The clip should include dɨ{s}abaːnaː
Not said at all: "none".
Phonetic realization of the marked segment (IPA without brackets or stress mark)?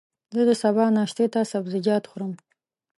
s